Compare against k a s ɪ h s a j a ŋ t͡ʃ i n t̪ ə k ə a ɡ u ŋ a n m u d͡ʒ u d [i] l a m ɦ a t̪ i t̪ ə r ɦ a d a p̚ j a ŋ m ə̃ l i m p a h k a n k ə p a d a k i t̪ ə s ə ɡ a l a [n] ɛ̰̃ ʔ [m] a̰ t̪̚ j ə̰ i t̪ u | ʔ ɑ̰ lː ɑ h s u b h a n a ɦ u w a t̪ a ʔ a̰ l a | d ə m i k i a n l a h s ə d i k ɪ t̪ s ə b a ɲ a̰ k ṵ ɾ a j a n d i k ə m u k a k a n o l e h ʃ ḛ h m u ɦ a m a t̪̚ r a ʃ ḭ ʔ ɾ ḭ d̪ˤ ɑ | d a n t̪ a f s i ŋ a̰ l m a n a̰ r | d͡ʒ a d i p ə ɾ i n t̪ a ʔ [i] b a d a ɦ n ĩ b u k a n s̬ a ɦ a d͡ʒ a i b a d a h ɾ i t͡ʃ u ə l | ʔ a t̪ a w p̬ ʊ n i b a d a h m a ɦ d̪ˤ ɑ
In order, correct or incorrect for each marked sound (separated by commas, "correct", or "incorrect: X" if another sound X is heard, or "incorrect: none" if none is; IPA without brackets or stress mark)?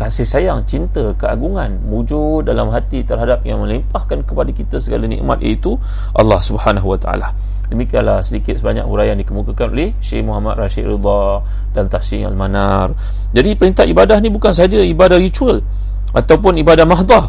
incorrect: a, correct, correct, correct